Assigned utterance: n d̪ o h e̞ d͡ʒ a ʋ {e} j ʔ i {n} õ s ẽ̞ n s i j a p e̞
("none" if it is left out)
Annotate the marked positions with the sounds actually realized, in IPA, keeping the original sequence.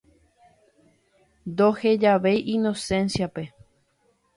e, n

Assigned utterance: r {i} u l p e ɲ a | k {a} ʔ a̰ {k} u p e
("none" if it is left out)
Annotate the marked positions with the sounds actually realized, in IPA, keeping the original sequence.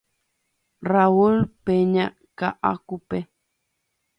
a, a, k

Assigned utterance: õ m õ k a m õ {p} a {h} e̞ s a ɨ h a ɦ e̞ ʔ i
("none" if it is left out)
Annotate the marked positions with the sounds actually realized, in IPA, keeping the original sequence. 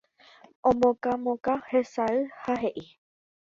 k, h

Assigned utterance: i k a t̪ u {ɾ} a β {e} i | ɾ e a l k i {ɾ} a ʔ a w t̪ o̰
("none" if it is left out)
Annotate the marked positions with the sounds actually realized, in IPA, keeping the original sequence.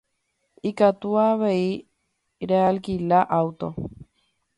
none, e, l

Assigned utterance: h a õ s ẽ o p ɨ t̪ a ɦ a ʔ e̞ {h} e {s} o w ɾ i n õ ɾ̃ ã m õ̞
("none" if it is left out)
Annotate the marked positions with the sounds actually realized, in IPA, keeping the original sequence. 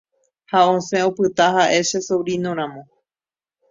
ʃ, s

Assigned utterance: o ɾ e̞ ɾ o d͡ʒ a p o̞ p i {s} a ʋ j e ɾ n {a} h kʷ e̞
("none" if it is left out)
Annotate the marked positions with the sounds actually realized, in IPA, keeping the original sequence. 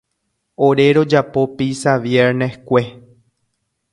s, e

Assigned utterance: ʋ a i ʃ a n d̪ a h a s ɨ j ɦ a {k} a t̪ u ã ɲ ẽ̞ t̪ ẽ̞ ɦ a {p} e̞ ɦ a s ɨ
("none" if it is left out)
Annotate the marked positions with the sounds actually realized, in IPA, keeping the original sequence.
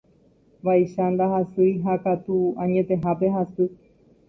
k, p

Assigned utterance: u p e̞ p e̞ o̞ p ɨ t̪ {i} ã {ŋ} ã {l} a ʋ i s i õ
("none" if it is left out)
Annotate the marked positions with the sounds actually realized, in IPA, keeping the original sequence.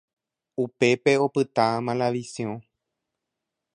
a, m, l

